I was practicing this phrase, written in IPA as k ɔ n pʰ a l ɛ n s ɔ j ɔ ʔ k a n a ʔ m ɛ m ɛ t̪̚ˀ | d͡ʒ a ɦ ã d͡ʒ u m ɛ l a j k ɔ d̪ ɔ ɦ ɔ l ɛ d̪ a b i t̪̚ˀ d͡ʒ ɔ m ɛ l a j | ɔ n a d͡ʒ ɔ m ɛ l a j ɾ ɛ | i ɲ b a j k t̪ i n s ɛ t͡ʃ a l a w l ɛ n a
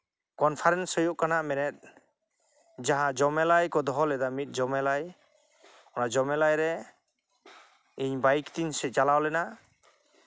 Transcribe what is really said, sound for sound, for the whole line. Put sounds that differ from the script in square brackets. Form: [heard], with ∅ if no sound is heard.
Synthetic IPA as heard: k ɔ n pʰ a [ɾ] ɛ n s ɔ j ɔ ʔ k a n a ʔ m ɛ [n] ɛ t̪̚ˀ | d͡ʒ a ɦ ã d͡ʒ [ɔ] m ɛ l a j k ɔ d̪ ɔ ɦ ɔ l ɛ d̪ a [m] i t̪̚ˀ d͡ʒ ɔ m ɛ l a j | ɔ n a d͡ʒ ɔ m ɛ l a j ɾ ɛ | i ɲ b a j k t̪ i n s ɛ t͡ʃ a l a w l ɛ n a